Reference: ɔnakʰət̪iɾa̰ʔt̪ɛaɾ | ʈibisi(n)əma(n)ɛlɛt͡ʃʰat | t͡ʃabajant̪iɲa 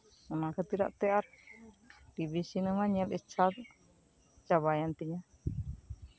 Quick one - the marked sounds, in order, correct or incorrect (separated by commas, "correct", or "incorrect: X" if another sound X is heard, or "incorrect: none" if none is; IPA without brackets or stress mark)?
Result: correct, incorrect: ɲ